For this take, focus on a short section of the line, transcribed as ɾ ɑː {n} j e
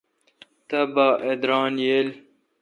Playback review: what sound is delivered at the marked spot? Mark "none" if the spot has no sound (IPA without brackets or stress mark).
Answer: n